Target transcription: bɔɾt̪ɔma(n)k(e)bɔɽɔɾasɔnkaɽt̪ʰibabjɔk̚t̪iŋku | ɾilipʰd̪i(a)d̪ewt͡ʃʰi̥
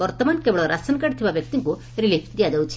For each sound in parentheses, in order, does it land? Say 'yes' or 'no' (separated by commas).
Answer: yes, yes, yes